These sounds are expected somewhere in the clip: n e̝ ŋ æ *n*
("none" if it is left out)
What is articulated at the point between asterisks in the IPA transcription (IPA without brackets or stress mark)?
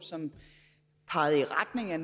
n